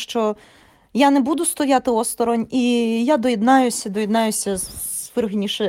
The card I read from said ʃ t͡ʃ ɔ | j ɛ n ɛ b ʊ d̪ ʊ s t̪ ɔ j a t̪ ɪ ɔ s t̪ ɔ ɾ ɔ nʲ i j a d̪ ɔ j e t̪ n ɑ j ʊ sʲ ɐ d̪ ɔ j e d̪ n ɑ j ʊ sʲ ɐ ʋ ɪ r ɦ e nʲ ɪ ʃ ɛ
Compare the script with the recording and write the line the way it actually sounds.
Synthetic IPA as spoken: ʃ t͡ʃ ɔ | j a n ɛ b u d̪ ʊ s t̪ ɔ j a t̪ ɪ ɔ s t̪ ɔ ɾ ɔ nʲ i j a d̪ ɔ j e d̪ n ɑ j ʊ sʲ ɐ d̪ ɔ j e d̪ n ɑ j ʊ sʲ ɐ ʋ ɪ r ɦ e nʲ i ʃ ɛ